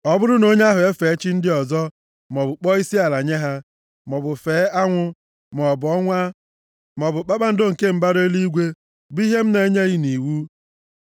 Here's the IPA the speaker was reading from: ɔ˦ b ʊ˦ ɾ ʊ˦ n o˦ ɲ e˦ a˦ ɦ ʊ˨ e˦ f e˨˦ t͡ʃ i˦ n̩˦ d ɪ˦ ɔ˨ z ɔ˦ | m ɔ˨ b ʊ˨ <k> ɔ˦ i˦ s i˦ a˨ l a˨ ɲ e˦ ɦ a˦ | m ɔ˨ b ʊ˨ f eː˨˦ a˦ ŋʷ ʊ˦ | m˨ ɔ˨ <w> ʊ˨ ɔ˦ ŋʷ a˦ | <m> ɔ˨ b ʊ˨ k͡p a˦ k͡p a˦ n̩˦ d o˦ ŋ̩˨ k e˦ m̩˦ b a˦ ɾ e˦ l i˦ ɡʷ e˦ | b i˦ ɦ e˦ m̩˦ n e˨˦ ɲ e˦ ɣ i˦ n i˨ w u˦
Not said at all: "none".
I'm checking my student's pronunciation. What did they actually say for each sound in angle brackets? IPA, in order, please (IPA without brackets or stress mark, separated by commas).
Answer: k͡p, b, m